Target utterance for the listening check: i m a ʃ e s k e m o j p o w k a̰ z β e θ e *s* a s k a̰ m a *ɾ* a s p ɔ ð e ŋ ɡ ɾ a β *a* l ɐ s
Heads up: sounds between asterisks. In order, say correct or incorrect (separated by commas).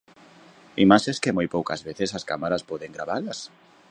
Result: correct, correct, correct